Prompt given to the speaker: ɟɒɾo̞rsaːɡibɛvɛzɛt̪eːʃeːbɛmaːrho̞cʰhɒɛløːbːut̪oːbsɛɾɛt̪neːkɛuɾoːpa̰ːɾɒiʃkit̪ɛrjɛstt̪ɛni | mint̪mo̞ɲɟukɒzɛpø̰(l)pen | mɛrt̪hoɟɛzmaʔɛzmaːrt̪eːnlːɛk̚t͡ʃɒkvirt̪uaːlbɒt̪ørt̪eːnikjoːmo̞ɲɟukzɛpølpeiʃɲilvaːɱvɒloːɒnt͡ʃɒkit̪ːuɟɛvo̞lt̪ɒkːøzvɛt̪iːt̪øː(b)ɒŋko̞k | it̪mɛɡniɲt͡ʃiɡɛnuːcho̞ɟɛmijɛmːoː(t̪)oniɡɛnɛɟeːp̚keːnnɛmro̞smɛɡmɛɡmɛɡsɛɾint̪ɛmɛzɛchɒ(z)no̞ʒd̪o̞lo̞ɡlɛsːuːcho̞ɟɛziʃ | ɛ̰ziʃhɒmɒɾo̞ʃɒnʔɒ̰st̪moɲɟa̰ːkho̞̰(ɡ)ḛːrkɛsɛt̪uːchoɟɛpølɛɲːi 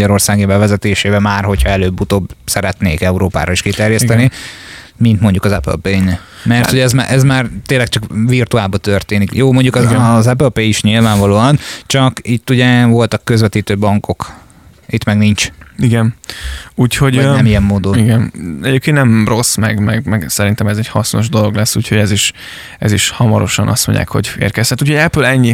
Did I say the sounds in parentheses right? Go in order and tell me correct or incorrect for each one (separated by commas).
correct, correct, incorrect, incorrect, incorrect